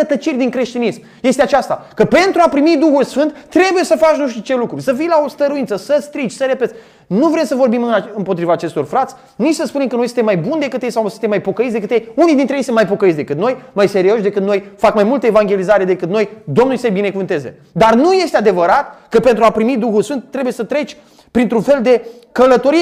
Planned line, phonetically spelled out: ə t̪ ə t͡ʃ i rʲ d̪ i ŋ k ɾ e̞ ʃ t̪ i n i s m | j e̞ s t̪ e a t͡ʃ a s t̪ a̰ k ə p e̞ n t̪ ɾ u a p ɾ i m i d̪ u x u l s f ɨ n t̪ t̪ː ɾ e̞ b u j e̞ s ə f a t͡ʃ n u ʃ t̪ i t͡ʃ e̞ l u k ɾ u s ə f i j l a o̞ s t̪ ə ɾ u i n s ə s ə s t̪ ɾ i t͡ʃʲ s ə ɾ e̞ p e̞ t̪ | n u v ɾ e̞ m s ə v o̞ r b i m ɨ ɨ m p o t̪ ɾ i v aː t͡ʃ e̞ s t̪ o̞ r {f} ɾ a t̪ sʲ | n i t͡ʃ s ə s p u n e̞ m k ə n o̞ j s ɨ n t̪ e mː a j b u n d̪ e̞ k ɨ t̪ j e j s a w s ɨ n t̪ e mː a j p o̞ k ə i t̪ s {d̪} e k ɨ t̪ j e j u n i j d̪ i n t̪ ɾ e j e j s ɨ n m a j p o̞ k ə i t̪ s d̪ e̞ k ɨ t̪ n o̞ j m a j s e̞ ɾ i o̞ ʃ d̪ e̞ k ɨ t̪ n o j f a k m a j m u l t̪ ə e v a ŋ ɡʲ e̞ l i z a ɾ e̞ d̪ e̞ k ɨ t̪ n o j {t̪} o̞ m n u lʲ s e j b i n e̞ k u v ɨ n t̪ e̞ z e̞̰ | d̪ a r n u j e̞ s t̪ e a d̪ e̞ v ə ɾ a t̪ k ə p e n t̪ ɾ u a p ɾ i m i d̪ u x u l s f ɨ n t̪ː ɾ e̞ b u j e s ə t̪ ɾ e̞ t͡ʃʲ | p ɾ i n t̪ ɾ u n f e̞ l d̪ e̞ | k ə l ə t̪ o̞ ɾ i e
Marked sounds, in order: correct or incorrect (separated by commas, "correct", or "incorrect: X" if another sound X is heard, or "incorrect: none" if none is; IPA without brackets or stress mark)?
correct, correct, incorrect: d̪